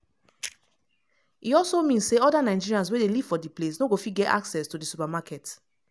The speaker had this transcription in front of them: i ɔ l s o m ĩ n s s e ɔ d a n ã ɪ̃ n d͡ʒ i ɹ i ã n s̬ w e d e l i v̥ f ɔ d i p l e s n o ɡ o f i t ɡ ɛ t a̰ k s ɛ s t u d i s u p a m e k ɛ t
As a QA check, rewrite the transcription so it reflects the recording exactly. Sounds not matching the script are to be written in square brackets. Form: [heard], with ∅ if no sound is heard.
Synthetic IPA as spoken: i ɔ l s o m ĩ n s s e ɔ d a n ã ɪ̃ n d͡ʒ i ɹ i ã n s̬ w e d e l i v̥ f ɔ d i p l e s n o ɡ o f i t ɡ ɛ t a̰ k s ɛ s t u d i s u p a m [a] k ɛ t